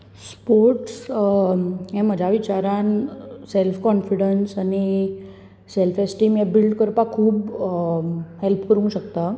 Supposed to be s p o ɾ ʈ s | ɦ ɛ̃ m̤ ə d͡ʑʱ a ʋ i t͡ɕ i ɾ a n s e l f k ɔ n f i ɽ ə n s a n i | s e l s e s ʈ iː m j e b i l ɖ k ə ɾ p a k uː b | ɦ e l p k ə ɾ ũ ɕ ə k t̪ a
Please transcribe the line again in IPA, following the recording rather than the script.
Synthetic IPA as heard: s p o ɾ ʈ s | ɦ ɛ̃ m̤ ə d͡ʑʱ a ʋ i t͡ɕ a ɾ a n s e l f k ɔ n f i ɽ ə n s a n i | s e l f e s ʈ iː m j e b i l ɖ k ə ɾ p a kʰ uː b | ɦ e l p k ə ɾ ũ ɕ ə k t̪ a